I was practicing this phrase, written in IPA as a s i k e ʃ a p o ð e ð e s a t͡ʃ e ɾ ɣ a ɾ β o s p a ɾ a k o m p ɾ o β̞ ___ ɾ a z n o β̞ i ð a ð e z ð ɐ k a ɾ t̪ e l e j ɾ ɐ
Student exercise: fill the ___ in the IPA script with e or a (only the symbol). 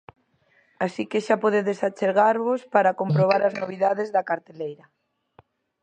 a